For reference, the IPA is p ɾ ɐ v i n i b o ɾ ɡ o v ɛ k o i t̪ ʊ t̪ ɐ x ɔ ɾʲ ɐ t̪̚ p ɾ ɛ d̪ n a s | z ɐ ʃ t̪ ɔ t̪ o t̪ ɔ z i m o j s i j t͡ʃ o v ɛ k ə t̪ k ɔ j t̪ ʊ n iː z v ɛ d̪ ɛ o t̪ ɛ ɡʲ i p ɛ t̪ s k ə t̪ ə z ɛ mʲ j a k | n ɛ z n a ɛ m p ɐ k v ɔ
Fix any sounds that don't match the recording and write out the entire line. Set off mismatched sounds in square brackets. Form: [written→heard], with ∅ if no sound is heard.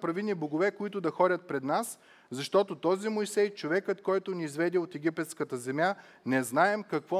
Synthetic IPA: p ɾ ɐ v i n i b o [ɾ→∅] ɡ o v ɛ k o i t̪ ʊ [t̪→d̪] ɐ x ɔ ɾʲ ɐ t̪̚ p ɾ ɛ d̪ n a s | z ɐ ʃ t̪ ɔ t̪ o t̪ ɔ z i m o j s [i→ɛ] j t͡ʃ o v ɛ k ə t̪ k ɔ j t̪ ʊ n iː z v ɛ d̪ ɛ o t̪ ɛ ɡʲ i p ɛ t̪ s k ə t̪ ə z ɛ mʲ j a [k→∅] | n ɛ z n a ɛ m [p→k] ɐ k v ɔ